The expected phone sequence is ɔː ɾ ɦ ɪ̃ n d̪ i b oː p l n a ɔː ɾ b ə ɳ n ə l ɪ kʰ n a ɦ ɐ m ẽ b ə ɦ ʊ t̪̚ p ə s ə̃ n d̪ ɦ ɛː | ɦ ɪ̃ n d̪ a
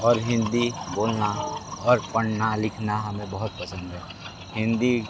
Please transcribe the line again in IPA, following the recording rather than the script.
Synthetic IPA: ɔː ɾ ɦ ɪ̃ n d̪ i b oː l n a ɔː ɾ p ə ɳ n a l ɪ kʰ n a ɦ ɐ m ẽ b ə ɦ ʊ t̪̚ p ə s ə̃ n d̪ ɦ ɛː | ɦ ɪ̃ n d̪ i